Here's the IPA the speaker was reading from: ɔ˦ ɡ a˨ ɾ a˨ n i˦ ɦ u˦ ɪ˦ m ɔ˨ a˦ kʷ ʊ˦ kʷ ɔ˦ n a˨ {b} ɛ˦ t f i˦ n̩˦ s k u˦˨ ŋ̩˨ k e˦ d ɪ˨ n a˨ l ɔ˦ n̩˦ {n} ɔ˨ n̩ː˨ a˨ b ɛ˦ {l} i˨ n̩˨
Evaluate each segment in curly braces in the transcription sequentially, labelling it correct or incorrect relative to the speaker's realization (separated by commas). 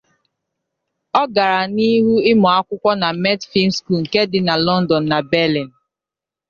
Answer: incorrect, incorrect, correct